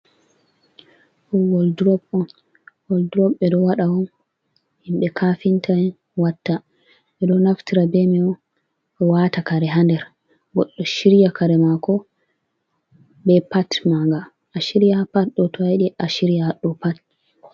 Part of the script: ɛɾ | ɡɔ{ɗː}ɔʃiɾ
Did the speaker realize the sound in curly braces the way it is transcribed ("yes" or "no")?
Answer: yes